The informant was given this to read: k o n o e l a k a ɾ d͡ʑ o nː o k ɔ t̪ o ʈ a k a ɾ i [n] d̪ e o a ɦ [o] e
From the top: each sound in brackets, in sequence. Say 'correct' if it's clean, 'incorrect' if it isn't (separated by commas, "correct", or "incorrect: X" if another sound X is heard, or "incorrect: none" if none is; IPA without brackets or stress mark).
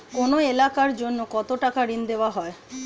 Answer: correct, incorrect: ɔ